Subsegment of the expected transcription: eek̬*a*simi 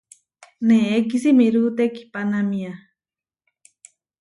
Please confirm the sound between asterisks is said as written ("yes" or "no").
no